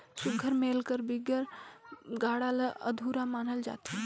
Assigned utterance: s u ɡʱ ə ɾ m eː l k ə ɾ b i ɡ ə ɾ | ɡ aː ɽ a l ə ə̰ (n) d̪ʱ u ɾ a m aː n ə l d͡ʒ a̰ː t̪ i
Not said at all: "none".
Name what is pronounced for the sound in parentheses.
none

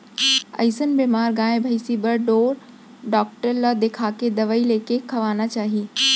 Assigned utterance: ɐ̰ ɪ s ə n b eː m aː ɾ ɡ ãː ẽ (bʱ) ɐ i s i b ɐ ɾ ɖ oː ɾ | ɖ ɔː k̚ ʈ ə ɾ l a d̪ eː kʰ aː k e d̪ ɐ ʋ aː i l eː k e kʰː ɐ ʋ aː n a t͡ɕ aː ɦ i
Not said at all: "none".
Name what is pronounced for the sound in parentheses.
bʱ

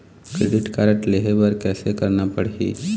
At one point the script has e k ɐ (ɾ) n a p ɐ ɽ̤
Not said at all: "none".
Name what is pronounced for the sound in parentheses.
ɾ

